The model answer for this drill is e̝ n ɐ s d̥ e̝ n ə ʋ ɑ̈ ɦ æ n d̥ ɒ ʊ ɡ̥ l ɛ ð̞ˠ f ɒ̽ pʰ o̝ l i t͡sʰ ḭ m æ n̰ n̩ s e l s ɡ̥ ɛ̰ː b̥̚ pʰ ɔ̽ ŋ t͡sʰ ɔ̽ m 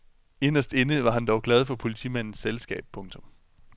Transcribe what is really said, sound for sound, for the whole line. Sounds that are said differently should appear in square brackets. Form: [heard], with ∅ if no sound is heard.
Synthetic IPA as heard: e̝ n ɐ s d̥ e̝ n ə ʋ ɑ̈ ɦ æ n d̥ ɒ ʊ ɡ̥ l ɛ ð̞ˠ f ɒ̽ pʰ o̝ l i t͡sʰ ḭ m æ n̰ n̩ s e l s ɡ̥ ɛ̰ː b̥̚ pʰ ɔ̽ ŋ t͡sʰ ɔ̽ m